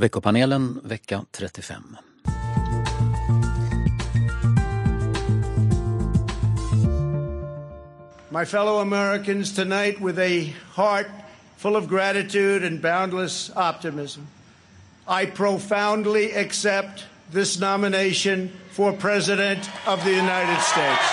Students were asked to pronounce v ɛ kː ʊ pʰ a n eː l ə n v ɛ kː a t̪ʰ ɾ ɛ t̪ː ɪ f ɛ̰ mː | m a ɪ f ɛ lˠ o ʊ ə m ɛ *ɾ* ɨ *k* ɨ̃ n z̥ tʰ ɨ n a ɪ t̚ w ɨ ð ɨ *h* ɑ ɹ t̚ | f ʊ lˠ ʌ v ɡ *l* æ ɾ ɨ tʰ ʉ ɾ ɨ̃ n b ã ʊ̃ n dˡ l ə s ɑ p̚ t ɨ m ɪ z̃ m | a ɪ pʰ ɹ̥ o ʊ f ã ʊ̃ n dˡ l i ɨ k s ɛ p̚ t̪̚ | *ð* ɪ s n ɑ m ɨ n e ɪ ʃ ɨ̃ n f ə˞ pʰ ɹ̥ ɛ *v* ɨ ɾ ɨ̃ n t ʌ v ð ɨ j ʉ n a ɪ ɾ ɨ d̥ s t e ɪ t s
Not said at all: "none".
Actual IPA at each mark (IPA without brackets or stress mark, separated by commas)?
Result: ɹ, k, h, ɹ, ð, z